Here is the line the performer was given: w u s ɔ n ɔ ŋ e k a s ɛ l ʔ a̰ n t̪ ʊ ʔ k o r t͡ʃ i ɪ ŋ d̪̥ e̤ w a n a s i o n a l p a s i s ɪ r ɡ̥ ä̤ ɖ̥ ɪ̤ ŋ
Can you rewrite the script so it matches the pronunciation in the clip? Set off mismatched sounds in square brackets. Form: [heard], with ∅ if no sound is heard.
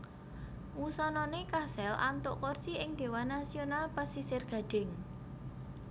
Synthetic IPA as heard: w u s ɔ n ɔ [n] e k a s ɛ l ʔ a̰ n t̪ ʊ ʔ k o r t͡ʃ i ɪ ŋ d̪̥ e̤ w a n a s i o n a l p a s i s ɪ r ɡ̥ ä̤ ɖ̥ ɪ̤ ŋ